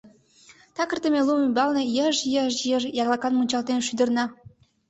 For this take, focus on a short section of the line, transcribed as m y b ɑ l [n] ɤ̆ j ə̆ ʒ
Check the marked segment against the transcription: correct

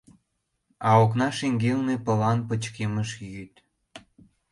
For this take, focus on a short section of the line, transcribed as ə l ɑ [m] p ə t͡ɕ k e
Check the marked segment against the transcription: incorrect: n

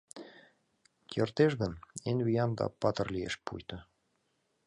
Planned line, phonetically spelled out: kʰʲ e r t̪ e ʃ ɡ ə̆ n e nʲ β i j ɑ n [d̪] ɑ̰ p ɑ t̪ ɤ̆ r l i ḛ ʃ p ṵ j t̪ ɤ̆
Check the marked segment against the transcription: correct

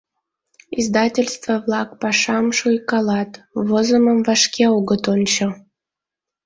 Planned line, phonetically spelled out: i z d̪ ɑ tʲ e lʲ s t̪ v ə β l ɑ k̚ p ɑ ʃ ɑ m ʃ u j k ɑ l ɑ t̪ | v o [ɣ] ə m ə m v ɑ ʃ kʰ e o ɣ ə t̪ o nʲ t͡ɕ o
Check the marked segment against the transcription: incorrect: z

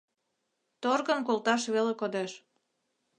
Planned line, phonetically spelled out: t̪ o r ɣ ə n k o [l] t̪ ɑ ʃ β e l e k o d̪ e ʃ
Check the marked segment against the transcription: correct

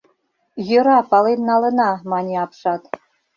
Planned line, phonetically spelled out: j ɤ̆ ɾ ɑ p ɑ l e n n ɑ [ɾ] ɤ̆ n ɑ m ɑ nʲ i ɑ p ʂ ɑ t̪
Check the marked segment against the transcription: incorrect: l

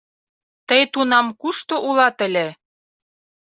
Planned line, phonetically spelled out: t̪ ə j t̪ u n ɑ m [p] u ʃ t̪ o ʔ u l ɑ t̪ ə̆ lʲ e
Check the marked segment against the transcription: incorrect: k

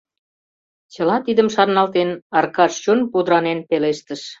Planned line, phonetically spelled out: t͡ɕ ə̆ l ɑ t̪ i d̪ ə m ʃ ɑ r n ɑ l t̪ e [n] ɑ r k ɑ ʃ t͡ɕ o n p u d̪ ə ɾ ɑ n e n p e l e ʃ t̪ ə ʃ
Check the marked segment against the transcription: correct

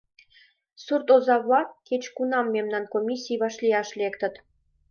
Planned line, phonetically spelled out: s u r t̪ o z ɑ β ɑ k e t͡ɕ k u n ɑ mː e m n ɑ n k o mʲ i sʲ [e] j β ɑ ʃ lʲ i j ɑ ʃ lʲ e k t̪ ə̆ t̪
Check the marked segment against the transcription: incorrect: i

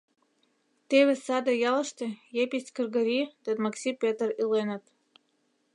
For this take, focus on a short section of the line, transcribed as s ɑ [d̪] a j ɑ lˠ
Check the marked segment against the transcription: correct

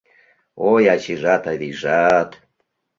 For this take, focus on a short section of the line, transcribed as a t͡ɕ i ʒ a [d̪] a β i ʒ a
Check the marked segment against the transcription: incorrect: t̪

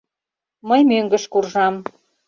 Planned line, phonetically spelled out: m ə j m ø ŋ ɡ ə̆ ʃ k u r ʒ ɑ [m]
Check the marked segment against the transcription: correct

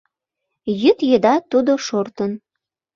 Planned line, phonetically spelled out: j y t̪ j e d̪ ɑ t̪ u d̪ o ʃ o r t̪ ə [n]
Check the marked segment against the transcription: correct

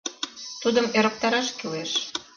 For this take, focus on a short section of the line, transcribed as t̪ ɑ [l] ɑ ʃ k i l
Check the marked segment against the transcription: incorrect: ɾ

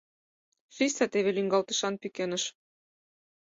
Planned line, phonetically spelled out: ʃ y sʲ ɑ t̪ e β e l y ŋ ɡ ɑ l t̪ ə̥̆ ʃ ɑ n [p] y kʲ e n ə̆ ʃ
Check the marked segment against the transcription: correct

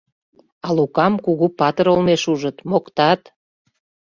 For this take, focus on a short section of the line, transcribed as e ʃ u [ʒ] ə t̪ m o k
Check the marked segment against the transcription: correct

